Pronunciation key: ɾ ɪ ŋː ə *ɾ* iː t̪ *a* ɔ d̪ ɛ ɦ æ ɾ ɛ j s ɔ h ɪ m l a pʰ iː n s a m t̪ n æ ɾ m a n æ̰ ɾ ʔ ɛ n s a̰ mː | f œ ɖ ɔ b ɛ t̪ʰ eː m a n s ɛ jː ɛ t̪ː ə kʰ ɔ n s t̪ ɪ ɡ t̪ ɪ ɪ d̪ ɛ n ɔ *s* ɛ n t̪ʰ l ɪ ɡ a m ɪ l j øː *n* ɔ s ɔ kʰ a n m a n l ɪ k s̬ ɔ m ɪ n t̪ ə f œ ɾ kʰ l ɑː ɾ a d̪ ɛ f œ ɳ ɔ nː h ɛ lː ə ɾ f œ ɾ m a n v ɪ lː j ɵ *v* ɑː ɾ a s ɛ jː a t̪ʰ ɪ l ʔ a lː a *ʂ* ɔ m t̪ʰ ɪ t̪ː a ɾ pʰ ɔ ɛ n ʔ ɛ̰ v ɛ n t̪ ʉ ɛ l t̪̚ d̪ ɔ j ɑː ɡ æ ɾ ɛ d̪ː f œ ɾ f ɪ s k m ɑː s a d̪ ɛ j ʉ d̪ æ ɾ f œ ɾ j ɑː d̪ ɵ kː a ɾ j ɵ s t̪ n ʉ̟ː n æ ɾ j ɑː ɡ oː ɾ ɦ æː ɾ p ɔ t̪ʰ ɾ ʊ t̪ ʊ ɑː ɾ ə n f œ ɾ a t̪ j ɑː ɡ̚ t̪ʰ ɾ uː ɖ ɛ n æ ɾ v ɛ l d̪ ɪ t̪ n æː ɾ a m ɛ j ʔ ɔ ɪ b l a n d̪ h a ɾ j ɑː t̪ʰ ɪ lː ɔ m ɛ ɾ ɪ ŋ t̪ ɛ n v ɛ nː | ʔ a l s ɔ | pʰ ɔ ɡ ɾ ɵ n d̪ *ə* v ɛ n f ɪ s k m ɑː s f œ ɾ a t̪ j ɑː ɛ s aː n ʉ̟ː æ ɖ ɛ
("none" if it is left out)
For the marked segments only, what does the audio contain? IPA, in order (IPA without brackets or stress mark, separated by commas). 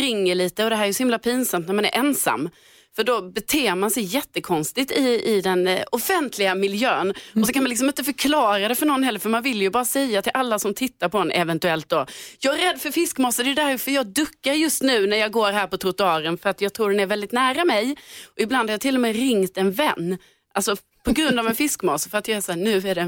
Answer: ɭ, ə, f, n, b, s, a